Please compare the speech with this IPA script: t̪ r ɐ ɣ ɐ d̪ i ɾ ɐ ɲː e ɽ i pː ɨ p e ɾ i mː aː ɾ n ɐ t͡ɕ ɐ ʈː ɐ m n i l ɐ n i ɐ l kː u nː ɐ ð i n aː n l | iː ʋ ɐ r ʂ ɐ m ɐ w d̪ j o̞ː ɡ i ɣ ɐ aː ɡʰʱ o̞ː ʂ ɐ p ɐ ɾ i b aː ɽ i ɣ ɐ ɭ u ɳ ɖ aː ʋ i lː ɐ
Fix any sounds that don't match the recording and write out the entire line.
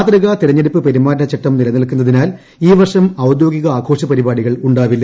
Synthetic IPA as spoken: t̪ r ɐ ɣ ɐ t̪ i ɾ ɐ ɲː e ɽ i pː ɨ p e ɾ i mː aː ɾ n ɐ t͡ɕ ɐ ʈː ɐ m n i l ɐ n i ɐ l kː u nː ɐ ð i n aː l | iː ʋ ɐ r ʂ ɐ m ɐ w d̪ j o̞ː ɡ i ɣ ɐ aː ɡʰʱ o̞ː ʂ ɐ p ɐ ɾ i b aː ɽ i ɣ ɐ ɭ u ɳ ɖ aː ʋ i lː ɐ